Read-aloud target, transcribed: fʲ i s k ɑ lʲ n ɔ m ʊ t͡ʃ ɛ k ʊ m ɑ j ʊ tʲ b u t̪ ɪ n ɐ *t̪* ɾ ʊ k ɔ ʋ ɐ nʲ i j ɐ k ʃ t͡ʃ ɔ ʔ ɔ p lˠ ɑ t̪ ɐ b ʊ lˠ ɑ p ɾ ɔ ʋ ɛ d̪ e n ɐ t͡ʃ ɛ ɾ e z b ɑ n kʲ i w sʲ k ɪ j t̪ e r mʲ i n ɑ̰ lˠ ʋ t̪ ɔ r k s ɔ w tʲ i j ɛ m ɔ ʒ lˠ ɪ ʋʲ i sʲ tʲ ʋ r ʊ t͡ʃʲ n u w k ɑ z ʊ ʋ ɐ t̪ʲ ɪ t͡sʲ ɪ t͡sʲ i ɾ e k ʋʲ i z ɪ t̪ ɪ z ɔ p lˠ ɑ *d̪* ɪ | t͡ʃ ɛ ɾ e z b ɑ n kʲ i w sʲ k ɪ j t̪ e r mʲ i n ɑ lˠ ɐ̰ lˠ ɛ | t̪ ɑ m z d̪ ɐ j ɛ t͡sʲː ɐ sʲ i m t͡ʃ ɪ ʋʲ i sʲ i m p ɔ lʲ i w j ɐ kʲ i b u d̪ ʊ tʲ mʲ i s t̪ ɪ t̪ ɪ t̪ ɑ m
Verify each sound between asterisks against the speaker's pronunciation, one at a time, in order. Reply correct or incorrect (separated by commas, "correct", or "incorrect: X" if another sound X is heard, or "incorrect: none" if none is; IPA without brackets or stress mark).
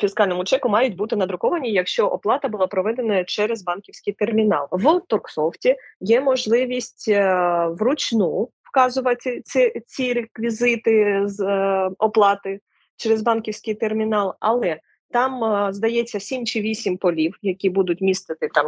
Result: incorrect: d̪, incorrect: t̪